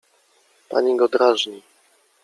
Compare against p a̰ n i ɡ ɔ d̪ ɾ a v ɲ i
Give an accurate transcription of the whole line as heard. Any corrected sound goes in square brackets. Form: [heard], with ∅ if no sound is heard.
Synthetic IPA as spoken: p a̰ [ɲ] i ɡ ɔ d̪ ɾ a [ʐ] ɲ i